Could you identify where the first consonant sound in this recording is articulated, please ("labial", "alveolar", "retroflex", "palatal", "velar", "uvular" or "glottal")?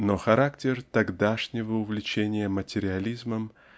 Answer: alveolar